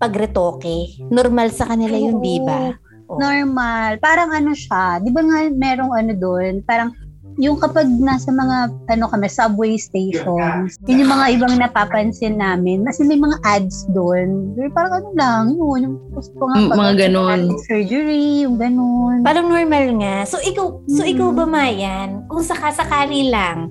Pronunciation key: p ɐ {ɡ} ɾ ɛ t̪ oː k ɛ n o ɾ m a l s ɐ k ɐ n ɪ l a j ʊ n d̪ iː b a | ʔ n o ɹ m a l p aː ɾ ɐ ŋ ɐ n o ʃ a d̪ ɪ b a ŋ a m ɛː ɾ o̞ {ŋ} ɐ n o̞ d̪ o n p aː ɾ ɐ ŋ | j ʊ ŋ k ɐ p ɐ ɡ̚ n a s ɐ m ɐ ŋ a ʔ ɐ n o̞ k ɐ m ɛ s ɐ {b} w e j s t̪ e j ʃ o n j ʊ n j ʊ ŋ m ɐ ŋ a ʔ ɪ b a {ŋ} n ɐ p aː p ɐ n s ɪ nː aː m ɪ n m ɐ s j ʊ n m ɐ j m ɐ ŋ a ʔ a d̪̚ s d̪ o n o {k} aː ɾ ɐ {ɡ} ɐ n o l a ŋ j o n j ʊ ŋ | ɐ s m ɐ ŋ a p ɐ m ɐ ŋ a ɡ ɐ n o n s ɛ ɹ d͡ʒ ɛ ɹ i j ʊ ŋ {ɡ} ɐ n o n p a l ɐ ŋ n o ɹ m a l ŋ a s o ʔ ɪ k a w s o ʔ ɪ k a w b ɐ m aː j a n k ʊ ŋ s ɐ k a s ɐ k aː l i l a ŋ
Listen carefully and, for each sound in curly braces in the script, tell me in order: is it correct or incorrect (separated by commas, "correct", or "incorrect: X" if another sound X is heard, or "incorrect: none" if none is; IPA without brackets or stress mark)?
correct, correct, correct, correct, incorrect: p, incorrect: ŋ, correct